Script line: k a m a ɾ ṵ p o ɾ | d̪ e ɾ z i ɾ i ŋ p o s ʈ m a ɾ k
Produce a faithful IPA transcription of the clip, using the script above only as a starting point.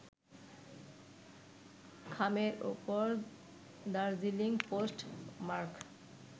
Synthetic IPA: kʰ a m e ɾ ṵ p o ɾ | d̪ a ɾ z i l i ŋ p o s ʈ m a ɾ k